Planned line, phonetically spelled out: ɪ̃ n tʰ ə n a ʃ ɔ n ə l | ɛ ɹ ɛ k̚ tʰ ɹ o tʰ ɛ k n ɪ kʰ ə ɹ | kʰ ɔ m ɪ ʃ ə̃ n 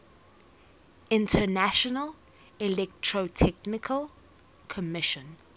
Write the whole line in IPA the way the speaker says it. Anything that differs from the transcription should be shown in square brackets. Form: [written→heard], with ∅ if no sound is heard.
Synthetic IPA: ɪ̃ n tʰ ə n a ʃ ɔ n ə l | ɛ [ɹ→l] ɛ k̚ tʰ ɹ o tʰ ɛ k n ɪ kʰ ə [ɹ→l] | kʰ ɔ m ɪ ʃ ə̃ n